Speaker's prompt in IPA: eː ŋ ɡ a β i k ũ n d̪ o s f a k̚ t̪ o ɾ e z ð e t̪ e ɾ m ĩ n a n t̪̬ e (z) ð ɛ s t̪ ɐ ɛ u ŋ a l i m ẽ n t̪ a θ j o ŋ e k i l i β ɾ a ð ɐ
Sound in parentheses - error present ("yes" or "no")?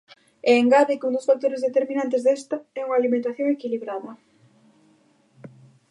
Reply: no